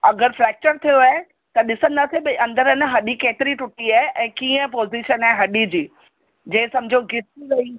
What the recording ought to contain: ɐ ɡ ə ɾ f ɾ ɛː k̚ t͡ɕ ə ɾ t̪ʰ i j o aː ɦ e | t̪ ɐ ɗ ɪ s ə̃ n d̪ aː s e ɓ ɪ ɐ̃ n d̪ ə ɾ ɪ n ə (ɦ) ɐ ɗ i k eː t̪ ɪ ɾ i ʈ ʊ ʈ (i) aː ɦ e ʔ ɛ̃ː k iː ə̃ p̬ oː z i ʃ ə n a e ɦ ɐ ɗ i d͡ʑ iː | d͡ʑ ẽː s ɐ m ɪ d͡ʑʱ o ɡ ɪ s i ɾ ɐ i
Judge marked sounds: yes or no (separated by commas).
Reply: yes, yes